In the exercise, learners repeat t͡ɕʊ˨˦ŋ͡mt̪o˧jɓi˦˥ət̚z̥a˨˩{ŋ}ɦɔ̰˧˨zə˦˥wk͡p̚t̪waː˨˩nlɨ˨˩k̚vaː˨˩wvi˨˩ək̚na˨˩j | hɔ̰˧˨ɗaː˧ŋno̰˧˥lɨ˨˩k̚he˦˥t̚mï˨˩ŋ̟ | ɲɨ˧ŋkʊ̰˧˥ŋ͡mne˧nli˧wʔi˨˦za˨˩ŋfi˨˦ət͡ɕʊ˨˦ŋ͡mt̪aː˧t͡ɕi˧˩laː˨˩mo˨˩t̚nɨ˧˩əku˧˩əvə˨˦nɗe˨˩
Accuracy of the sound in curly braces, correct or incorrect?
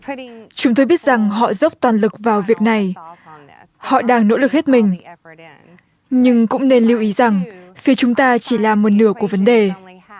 correct